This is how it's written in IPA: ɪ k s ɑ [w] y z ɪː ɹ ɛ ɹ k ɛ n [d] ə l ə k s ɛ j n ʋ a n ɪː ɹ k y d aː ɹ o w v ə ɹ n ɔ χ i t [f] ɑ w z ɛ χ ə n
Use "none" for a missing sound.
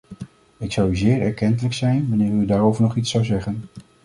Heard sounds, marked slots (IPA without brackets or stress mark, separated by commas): w, t, s